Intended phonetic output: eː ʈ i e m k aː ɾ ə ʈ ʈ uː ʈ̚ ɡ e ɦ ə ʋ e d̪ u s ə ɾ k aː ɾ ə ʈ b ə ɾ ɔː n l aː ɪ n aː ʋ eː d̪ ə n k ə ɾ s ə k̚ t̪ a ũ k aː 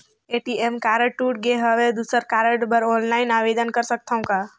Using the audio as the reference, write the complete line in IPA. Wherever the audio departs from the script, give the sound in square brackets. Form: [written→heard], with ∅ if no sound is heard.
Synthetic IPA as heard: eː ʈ i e m k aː ɾ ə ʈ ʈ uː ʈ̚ ɡ e ɦ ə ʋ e d̪ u s ə ɾ k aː ɾ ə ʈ b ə ɾ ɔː n l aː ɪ n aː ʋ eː d̪ ə n k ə ɾ s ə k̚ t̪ a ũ k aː